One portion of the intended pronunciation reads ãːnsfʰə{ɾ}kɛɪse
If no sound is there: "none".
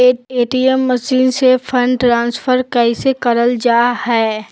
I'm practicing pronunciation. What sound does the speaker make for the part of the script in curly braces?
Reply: ɾ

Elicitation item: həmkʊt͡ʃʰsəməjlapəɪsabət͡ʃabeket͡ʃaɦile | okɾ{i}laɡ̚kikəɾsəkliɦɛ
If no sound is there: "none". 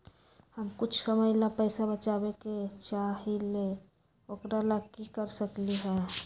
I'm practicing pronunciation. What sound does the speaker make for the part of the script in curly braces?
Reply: a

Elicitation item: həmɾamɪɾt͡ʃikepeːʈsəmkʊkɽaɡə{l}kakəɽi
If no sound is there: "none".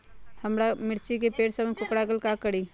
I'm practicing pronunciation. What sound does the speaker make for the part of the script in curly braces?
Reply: l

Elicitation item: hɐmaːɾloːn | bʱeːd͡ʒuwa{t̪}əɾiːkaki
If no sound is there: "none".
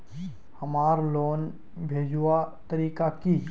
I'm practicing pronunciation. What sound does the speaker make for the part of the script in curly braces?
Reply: t̪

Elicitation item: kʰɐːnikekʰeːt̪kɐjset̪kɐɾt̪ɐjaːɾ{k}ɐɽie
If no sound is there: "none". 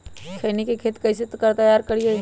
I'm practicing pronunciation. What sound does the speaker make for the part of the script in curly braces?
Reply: k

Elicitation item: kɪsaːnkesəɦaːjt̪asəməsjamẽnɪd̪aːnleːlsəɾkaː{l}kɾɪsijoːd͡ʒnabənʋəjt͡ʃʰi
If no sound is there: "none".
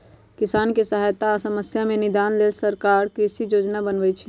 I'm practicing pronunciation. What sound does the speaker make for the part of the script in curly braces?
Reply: ɾ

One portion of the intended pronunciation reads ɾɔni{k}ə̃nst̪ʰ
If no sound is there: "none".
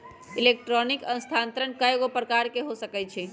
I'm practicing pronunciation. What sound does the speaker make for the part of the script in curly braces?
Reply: k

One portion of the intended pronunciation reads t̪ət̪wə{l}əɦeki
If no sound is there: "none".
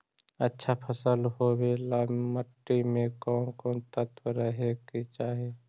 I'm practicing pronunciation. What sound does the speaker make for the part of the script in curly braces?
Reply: ɾ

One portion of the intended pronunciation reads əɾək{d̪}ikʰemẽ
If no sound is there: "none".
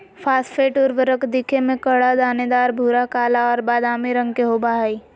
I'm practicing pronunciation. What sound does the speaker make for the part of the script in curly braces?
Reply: d̪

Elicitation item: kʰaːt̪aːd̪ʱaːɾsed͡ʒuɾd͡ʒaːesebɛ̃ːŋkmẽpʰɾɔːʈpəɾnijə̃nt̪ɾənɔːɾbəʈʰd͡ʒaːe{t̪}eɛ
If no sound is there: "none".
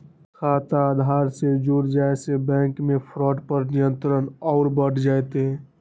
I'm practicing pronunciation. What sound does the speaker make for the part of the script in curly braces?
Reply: t̪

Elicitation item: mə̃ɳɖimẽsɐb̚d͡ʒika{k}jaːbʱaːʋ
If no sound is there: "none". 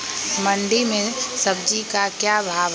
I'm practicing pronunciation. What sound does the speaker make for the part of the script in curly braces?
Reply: k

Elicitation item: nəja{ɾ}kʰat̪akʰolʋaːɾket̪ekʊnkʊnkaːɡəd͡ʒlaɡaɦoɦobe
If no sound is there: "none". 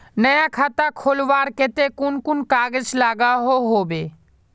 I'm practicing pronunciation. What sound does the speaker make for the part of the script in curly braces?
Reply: none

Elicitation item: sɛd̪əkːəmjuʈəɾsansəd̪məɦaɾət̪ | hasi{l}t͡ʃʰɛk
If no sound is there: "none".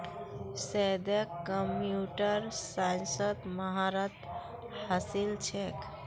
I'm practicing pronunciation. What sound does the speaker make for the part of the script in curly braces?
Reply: l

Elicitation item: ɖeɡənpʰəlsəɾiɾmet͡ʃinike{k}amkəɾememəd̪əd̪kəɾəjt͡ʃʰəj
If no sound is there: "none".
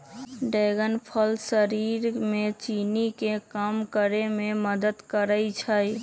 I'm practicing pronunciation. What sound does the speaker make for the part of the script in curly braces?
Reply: k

